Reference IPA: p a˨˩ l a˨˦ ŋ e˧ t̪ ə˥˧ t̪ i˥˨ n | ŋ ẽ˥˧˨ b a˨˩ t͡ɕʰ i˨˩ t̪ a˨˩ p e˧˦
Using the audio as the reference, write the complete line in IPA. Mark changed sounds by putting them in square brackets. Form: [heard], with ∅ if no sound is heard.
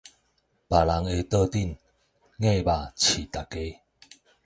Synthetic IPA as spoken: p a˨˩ l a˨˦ ŋ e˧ t̪ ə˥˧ t̪ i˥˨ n | ŋ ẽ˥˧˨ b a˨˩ t͡ɕʰ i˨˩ t̪ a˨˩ [k] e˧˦